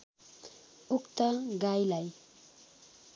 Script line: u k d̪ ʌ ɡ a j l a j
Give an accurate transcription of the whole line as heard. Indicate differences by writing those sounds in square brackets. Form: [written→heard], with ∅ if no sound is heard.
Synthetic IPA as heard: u k [d̪→t̪] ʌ ɡ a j l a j